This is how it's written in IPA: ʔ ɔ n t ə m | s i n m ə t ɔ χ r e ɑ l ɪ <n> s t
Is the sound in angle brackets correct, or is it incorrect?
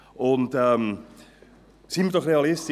incorrect